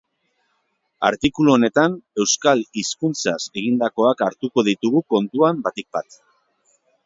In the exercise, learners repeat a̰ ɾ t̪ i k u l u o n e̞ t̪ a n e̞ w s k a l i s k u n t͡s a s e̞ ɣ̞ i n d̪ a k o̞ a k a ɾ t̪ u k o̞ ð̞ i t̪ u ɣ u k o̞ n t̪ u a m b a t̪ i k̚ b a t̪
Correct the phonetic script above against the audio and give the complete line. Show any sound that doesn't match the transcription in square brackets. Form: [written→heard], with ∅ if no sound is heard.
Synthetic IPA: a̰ ɾ t̪ i k u l u o n e̞ t̪ a n e̞ w s k a l i s k u n t͡s a s e̞ ɣ̞ i n d̪ a k o̞ a k a ɾ t̪ u k o̞ ð̞ i t̪ u ɣ u k o̞ n t̪ u a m b a t̪ i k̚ b a t̪